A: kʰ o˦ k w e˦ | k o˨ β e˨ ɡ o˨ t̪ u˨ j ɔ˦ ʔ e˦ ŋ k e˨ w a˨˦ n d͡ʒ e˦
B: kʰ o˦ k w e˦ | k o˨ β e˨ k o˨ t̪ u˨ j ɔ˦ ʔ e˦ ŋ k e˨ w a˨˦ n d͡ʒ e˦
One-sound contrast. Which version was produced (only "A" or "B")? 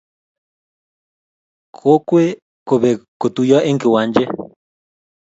B